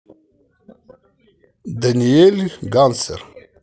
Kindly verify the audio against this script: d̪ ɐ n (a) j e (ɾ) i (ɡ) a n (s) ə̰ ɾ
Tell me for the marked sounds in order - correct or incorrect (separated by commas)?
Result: incorrect, incorrect, correct, correct